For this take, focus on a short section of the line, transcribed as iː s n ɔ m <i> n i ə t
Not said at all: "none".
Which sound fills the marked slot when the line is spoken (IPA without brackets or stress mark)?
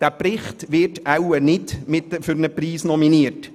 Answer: i